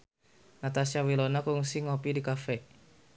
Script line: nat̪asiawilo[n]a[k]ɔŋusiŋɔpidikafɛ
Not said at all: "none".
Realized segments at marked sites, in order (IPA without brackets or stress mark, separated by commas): n, k